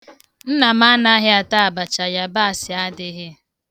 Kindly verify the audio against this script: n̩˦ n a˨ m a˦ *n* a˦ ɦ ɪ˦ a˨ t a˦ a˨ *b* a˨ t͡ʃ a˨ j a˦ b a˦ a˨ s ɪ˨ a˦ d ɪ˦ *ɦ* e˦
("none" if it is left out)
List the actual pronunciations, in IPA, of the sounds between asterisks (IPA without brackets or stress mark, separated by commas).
n, b, ɦ